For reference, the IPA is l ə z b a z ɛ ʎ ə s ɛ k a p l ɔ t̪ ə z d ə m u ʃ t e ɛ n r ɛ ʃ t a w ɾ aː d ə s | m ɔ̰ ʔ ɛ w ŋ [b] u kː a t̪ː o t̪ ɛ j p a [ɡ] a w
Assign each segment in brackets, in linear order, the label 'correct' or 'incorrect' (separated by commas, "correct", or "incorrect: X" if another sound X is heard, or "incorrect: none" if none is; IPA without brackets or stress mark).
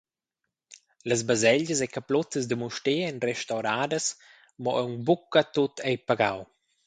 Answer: correct, correct